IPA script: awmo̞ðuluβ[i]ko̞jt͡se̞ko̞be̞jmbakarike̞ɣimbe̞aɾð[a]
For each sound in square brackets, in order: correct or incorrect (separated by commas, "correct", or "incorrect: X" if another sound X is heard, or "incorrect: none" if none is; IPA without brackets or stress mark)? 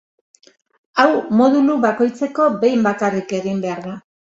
incorrect: a, correct